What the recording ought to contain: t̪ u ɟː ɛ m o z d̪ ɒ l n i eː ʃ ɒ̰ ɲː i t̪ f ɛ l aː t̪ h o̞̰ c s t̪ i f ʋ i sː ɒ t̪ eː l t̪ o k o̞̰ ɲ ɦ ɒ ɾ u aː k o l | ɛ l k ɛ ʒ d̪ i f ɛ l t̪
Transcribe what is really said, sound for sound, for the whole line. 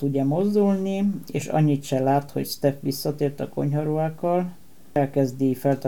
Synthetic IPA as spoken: t̪ u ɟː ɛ m o z d̪ u l n i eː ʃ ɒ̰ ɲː i t̪ ʃ ɛ l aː t̪ h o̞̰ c s t̪ ɛ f ʋ i sː ɒ t̪ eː r t̪ ɒ k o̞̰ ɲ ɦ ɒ ɾ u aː k ɒ l | ɛ l k ɛ z d̪ i f ɛ l t̪